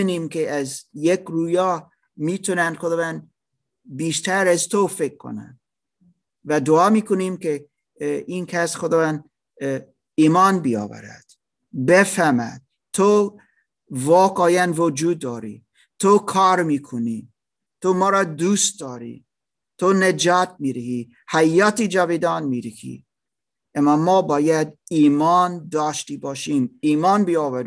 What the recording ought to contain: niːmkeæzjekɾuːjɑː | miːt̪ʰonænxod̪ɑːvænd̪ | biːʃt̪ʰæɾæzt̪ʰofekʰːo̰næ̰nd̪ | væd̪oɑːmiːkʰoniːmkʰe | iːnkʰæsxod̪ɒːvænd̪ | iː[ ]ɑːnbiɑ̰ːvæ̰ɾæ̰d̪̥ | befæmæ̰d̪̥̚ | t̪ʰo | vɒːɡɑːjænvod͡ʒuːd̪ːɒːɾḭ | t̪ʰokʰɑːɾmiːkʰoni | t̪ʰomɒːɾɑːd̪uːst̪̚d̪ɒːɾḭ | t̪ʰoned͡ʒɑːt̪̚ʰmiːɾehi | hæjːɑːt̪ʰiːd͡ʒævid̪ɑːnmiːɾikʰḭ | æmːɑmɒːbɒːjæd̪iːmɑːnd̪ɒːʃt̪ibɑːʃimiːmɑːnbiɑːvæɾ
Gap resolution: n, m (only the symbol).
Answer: m